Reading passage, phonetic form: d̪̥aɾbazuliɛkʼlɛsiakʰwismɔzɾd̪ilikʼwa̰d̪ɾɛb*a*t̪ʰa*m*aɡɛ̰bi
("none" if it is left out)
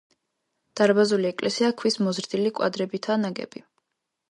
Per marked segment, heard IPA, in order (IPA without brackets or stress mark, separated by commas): i, n